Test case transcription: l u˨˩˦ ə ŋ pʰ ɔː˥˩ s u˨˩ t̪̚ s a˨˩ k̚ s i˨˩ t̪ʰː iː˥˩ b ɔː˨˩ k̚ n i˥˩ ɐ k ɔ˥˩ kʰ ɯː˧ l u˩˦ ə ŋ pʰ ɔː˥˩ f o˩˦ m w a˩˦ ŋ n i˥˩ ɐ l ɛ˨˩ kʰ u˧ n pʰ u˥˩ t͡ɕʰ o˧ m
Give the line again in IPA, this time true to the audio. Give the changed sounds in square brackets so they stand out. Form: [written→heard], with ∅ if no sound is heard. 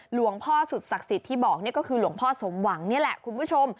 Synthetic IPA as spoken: l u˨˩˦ ə ŋ pʰ ɔː˥˩ s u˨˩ t̪̚ s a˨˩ k̚ s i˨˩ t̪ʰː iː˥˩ b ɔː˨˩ k̚ n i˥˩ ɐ k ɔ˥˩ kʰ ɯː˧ l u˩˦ ə ŋ pʰ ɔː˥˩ [f→s] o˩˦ m w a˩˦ ŋ n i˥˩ ɐ l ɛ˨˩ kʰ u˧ n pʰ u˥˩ t͡ɕʰ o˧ m